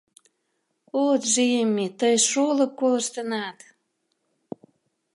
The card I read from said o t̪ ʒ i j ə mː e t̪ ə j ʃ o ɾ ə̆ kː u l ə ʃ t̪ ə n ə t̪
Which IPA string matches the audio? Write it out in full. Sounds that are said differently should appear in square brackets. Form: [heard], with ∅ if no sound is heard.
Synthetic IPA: o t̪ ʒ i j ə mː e t̪ ə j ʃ o [l] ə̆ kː [o] l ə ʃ t̪ ə n [ɑ] t̪